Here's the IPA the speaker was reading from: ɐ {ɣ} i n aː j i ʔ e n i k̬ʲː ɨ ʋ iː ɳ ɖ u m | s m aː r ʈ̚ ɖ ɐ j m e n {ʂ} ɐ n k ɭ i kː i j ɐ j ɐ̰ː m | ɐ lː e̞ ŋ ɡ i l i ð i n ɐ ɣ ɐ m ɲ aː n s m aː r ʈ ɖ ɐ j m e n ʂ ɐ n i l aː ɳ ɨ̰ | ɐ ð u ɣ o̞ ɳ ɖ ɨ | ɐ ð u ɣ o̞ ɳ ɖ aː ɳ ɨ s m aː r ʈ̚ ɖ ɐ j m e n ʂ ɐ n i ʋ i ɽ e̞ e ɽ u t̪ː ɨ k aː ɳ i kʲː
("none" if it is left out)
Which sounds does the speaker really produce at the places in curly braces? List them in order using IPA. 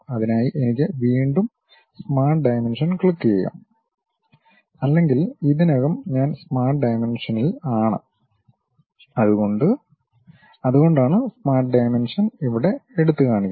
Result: ð, ʂ

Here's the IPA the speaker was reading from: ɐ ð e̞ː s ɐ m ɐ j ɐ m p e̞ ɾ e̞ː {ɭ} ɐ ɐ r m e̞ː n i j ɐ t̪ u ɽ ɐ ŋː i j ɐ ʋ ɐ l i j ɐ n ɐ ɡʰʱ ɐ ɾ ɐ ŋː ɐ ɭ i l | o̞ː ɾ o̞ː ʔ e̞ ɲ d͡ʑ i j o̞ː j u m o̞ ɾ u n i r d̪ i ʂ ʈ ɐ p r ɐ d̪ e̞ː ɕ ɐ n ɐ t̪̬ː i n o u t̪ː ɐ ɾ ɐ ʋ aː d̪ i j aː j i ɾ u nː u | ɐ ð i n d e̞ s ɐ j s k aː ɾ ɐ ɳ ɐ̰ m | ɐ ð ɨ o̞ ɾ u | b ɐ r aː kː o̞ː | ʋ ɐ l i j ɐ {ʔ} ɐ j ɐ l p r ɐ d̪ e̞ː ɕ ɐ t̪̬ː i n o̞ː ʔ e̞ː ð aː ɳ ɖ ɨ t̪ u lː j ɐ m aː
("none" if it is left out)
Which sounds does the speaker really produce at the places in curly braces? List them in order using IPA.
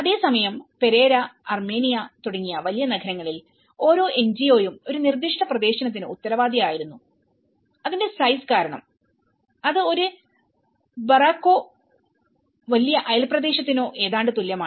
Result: ɾ, ʔ

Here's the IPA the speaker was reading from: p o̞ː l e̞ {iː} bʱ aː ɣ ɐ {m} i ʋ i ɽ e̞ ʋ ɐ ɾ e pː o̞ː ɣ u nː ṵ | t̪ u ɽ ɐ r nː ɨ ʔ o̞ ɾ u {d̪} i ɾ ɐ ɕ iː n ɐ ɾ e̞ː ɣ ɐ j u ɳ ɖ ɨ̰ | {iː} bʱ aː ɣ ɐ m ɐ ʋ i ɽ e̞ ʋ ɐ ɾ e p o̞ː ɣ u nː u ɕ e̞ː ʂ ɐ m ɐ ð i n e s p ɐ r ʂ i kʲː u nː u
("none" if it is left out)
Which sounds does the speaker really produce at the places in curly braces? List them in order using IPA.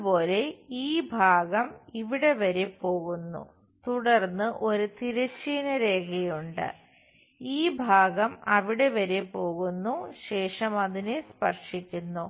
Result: iː, m, t̪, iː

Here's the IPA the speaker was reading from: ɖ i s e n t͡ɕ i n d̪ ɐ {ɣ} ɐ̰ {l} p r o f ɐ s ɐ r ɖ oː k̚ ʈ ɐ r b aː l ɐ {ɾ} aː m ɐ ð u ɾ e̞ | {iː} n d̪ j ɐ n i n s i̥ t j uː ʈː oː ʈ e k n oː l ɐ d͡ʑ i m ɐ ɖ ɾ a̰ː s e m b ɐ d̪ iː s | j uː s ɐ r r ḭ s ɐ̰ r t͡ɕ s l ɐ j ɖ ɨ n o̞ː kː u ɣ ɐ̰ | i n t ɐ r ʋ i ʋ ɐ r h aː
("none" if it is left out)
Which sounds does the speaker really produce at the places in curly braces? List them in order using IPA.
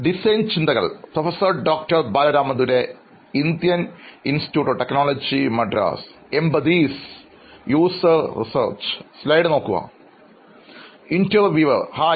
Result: ɣ, ɭ, ɾ, i

